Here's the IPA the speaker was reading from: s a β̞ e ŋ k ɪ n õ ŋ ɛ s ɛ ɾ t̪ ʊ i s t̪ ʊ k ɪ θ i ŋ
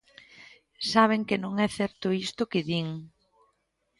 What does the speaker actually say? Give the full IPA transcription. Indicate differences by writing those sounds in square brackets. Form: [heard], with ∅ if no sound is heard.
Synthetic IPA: s a β̞ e ŋ k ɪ n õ ŋ ɛ [θ] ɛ ɾ t̪ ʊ i s t̪ ʊ k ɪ [ð] i ŋ